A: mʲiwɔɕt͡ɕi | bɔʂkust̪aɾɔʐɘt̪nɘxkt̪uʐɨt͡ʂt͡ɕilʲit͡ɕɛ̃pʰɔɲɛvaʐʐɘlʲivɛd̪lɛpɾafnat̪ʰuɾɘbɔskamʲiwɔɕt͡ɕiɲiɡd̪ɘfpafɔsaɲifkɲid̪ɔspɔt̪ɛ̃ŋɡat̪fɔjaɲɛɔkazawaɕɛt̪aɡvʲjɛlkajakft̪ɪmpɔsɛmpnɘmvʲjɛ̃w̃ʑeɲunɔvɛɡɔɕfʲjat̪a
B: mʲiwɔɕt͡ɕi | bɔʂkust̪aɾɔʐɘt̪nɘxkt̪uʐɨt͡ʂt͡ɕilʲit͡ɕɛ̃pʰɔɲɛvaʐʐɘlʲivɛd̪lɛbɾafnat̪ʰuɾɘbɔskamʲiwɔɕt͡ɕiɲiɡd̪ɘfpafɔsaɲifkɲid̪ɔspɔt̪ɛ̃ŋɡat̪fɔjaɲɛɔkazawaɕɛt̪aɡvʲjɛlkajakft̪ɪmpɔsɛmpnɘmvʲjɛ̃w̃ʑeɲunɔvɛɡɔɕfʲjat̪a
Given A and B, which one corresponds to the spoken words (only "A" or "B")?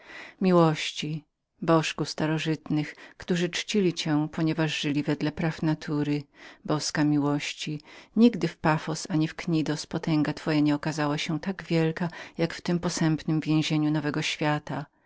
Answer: A